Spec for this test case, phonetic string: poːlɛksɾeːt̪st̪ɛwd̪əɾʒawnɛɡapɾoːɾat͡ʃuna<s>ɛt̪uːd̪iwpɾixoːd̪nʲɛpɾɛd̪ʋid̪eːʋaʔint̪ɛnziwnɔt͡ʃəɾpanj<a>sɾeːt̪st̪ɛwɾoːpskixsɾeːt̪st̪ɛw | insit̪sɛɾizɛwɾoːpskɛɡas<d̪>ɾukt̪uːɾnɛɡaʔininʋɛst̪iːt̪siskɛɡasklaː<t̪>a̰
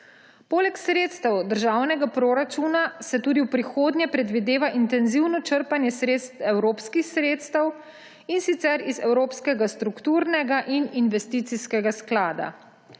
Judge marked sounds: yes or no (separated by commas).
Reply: yes, no, no, no